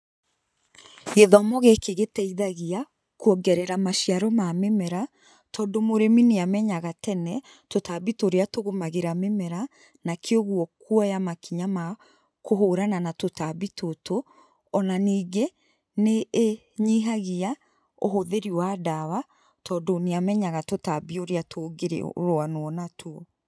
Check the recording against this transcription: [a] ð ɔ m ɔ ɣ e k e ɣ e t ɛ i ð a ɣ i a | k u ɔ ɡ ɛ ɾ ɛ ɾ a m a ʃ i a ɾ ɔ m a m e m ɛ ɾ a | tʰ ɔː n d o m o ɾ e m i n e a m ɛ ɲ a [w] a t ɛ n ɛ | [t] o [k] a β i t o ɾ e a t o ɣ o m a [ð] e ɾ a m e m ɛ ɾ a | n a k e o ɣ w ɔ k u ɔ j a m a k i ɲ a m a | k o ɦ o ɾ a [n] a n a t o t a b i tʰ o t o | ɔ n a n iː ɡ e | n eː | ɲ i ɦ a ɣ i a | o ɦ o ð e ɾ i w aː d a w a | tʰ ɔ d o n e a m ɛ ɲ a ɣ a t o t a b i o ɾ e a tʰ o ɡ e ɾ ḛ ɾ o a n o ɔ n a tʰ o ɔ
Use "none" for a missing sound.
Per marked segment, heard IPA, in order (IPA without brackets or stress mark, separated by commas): e, ɣ, t, t, ɣ, n